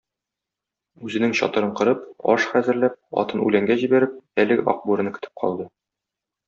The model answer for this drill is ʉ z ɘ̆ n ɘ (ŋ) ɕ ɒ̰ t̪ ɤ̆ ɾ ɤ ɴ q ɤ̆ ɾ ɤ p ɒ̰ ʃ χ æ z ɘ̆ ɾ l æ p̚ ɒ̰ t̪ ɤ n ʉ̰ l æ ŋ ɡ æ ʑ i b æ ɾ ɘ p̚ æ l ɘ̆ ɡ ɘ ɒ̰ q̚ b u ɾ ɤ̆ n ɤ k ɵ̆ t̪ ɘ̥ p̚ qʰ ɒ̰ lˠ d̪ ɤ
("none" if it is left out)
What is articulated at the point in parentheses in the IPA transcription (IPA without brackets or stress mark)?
ŋ